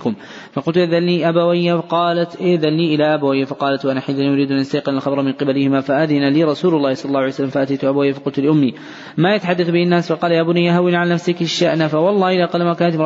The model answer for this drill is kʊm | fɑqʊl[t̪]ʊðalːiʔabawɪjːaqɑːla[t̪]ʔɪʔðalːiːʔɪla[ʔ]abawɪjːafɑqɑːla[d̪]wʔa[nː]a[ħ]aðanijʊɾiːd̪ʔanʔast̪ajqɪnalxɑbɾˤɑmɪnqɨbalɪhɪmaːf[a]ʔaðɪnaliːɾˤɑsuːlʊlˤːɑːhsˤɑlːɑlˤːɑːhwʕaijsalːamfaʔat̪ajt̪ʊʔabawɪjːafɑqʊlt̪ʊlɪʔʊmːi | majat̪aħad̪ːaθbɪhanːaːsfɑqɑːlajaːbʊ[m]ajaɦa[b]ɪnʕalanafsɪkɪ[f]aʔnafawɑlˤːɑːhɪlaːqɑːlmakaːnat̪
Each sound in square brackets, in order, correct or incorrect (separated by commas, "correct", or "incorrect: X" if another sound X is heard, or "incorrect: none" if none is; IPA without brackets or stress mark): correct, correct, correct, incorrect: t̪, incorrect: n, correct, correct, incorrect: n, incorrect: w, incorrect: ʃ